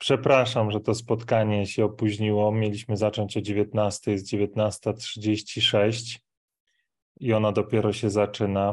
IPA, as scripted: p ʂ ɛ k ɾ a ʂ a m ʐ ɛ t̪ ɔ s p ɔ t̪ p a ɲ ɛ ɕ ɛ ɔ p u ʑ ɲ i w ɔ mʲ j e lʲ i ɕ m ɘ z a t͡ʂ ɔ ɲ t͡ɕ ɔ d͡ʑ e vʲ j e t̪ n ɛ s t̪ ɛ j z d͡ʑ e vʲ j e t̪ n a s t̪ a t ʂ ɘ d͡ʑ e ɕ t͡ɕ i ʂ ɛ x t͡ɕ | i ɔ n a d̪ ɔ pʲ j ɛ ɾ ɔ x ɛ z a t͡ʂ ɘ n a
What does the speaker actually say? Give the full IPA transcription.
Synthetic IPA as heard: p ʂ ɛ p ɾ a ʂ a m ʐ ɛ t̪ ɔ s p ɔ t̪ k a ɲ ɛ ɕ ɛ ɔ p u ʑ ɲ i w ɔ mʲ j e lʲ i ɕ m ɘ z a t͡ʂ ɔ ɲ t͡ɕ ɔ d͡ʑ e vʲ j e t̪ n a s t̪ ɛ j z d͡ʑ e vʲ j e t̪ n a s t̪ a t ʂ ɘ d͡ʑ e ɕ t͡ɕ i ʂ ɛ ɕ t͡ɕ | i ɔ n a d̪ ɔ pʲ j ɛ ɾ ɔ ɕ ɛ z a t͡ʂ ɘ n a